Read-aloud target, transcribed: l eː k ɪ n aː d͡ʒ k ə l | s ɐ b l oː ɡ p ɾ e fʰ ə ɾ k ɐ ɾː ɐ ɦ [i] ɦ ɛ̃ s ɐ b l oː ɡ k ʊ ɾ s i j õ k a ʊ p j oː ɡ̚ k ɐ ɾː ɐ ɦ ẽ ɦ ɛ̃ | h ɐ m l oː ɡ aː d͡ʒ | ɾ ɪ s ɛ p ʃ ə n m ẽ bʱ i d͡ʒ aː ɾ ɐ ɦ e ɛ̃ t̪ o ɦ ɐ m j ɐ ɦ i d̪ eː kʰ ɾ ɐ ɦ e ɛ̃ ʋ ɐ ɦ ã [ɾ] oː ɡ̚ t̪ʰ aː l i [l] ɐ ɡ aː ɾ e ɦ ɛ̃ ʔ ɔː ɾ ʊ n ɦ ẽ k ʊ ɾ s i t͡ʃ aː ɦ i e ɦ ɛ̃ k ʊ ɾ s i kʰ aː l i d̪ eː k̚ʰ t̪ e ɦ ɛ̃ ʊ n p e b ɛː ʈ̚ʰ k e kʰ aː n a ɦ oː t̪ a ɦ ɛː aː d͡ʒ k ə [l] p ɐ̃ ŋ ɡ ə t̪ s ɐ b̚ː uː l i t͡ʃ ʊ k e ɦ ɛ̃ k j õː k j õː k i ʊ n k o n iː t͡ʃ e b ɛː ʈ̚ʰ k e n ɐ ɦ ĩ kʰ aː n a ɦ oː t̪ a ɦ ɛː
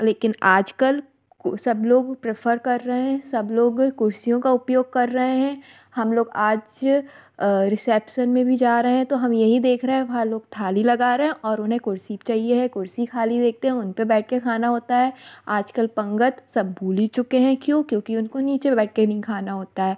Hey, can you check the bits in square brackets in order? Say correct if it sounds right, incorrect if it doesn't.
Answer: incorrect: e, incorrect: l, correct, correct

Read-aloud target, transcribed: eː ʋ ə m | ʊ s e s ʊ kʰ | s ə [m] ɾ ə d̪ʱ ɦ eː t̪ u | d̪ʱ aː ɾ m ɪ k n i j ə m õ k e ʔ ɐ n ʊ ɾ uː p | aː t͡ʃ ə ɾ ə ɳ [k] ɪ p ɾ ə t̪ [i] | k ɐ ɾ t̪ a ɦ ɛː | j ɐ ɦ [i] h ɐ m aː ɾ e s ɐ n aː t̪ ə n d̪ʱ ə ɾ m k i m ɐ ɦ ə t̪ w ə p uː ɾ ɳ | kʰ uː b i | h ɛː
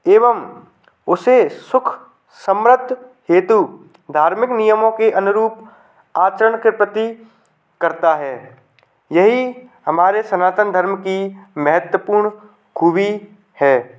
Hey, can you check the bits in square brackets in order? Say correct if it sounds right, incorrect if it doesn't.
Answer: correct, correct, correct, correct

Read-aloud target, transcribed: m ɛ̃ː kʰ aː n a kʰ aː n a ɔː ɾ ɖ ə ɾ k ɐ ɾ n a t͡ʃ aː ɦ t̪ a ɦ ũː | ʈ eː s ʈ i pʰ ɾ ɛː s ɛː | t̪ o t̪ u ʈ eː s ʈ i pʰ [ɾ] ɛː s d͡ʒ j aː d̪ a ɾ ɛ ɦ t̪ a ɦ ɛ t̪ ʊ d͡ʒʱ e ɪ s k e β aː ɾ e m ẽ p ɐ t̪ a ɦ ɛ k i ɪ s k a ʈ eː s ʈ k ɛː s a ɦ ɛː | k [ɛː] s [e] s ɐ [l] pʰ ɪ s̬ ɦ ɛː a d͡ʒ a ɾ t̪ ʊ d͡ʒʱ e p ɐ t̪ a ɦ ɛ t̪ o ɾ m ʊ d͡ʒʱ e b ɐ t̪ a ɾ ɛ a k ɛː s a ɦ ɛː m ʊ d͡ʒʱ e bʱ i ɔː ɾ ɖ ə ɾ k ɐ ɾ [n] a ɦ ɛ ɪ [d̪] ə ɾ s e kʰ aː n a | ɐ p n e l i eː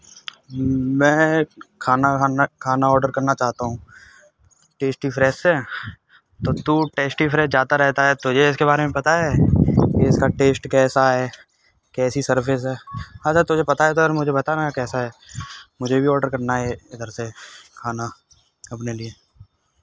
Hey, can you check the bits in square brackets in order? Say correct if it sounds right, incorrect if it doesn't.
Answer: correct, correct, incorrect: i, incorrect: ɾ, correct, correct

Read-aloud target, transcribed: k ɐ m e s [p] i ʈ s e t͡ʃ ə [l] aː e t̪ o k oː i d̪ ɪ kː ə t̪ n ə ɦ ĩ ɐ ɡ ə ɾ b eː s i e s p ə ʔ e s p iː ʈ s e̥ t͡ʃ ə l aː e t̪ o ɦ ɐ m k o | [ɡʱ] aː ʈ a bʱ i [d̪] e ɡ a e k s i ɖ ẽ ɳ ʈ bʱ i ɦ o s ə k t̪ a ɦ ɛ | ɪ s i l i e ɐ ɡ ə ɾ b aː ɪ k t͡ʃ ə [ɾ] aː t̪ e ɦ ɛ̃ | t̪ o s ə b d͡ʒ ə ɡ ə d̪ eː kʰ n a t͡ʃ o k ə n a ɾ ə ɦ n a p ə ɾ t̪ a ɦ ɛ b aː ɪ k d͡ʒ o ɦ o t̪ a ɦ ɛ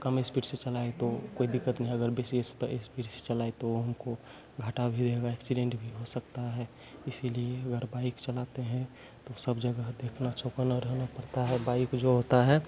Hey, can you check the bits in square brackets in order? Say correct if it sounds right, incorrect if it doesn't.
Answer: correct, correct, correct, correct, incorrect: l

